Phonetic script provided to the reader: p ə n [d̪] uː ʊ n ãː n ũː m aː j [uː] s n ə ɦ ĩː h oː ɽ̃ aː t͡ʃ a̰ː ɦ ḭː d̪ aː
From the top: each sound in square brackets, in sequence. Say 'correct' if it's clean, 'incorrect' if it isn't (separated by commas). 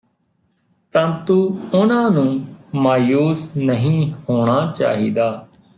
incorrect, correct